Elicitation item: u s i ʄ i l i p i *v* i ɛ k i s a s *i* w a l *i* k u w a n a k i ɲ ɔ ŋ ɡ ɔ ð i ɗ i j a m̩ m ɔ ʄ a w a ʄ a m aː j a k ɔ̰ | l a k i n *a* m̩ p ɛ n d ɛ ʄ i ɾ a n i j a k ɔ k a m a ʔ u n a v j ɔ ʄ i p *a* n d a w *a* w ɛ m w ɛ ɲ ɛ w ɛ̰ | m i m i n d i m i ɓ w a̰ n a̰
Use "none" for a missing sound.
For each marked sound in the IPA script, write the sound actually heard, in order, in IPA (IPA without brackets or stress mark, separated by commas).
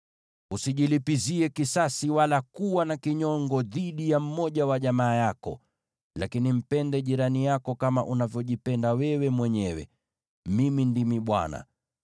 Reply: z, i, a, i, ɛ, ɛ